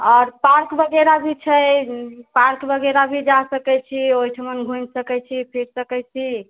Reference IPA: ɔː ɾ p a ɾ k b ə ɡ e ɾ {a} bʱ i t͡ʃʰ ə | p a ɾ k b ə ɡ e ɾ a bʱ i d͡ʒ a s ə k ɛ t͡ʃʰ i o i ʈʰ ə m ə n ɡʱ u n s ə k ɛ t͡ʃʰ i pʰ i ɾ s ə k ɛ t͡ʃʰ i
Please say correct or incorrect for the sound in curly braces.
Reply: correct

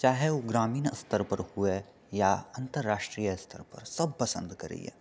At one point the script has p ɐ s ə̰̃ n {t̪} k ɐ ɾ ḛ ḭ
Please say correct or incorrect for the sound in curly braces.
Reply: incorrect: d̪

